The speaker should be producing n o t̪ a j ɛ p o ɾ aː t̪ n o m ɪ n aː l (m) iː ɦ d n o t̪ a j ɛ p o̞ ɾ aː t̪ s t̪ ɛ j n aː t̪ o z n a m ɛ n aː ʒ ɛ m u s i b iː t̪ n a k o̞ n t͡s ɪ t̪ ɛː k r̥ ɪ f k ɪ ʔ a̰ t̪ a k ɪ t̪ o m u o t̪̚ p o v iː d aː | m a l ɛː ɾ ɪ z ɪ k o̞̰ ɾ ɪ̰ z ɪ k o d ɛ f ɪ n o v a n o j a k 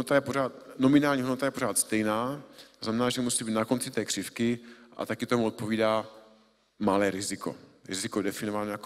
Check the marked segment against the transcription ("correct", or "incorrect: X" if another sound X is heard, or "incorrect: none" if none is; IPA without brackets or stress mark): incorrect: ɲ